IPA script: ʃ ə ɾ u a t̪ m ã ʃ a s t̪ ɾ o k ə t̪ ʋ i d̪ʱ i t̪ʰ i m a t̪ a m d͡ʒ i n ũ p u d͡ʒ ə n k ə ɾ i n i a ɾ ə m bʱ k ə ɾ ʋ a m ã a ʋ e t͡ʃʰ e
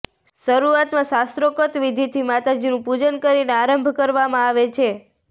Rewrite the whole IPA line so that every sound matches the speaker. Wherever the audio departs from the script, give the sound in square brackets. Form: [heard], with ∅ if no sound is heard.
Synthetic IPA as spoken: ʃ ə ɾ u a t̪ m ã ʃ a s t̪ ɾ o k ə t̪ ʋ i d̪ʱ i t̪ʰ i m a t̪ a [∅] d͡ʒ i n ũ p u d͡ʒ ə n k ə ɾ i n [e] a ɾ ə m bʱ k ə ɾ ʋ a m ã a ʋ e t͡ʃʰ e